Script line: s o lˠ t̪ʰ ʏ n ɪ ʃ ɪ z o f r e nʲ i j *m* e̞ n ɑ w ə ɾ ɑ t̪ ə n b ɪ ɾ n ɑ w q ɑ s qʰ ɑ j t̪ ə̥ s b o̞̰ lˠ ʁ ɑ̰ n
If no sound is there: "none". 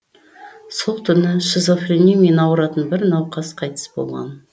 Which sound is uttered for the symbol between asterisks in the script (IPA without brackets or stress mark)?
m